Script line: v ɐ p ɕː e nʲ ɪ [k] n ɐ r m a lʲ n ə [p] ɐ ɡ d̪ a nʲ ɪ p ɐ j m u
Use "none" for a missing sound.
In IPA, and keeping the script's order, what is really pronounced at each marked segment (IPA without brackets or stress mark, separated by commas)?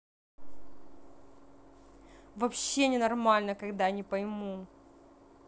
none, k